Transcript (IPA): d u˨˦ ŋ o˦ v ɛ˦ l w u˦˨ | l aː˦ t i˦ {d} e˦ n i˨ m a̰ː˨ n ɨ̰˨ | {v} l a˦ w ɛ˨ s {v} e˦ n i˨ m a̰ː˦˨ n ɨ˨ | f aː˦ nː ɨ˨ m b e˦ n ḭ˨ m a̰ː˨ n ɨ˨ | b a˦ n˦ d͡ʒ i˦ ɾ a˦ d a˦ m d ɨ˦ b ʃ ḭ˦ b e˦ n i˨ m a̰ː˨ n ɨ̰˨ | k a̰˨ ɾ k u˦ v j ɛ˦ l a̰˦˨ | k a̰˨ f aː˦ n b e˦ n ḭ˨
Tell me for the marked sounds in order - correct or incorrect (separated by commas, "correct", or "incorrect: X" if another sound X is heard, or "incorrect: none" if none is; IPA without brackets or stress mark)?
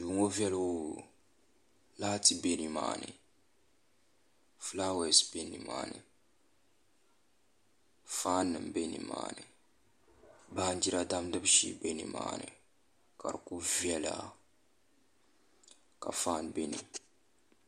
incorrect: b, incorrect: f, incorrect: b